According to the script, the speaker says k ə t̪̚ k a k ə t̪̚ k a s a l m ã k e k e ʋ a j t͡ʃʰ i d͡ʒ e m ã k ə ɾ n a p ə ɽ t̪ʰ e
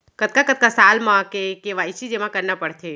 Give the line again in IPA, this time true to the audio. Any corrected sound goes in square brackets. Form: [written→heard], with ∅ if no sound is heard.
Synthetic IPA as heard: k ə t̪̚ k a k ə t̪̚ k a s a l m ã k e k e ʋ a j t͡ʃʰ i d͡ʒ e m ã k ə ɾ n a p ə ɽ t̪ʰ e

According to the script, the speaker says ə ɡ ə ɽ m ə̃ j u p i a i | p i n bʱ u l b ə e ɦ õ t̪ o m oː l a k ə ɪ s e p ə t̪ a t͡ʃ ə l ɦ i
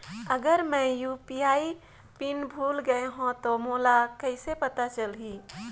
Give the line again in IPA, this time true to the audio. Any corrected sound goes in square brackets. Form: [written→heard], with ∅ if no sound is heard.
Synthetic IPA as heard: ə ɡ ə [ɽ→ɾ] m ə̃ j u p i a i | p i n bʱ u l [b→ɡ] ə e ɦ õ t̪ o m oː l a k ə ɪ s e p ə t̪ a t͡ʃ ə l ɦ i

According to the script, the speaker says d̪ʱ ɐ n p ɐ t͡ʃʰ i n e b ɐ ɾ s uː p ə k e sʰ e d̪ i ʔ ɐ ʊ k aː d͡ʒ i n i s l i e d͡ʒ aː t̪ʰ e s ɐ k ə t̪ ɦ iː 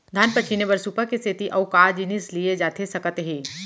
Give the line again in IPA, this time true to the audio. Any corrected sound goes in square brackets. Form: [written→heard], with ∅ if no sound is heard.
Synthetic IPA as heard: d̪ʱ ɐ n p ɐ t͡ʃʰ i n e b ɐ ɾ s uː p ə k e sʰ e [d̪→t̪] i ʔ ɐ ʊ k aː d͡ʒ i n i s l i e d͡ʒ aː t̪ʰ e s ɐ k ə t̪ ɦ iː

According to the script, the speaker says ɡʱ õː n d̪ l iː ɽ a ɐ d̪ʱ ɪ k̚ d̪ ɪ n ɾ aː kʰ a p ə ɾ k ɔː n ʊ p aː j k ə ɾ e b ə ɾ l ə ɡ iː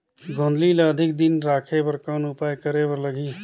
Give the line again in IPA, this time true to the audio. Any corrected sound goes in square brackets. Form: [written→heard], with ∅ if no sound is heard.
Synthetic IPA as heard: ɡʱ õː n d̪ l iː [ɽ→l] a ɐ d̪ʱ ɪ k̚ d̪ ɪ n ɾ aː kʰ [a→e] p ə ɾ k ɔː n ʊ p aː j k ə ɾ e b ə ɾ l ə ɡ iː

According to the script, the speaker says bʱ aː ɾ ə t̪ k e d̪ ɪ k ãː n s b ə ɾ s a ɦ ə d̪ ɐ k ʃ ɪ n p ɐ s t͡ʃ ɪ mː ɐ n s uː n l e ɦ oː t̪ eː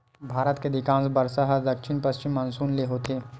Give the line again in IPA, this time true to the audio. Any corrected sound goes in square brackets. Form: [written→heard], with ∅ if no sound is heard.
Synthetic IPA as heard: bʱ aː ɾ ə t̪ k e d̪ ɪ k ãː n s b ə ɾ s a ɦ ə d̪ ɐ k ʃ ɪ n p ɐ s t͡ʃ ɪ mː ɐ n s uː n l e ɦ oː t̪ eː

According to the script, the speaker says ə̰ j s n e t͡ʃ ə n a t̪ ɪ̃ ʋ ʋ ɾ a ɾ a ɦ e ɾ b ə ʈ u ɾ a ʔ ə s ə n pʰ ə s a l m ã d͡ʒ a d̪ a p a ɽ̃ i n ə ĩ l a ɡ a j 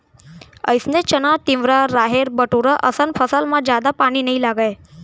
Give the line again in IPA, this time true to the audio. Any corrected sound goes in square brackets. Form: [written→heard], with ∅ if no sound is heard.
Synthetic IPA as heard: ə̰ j s n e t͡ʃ ə n a t̪ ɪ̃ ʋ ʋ ɾ a ɾ a ɦ e ɾ b ə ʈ u ɾ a ʔ ə s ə n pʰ ə s a l m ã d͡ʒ a d̪ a p a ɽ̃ i n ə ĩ l a ɡ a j

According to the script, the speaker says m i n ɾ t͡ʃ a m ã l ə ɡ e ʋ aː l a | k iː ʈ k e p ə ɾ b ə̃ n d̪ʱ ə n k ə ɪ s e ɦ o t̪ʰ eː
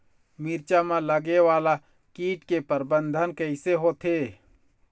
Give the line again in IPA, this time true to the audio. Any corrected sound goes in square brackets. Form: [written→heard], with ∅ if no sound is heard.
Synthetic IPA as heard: m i [n→∅] ɾ t͡ʃ a m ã l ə ɡ e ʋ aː l a | k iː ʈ k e p ə ɾ b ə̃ n d̪ʱ ə n k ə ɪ s e ɦ o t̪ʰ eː

